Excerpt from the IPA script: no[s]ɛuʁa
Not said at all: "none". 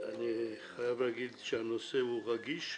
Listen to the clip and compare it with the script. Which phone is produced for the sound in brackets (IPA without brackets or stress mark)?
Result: s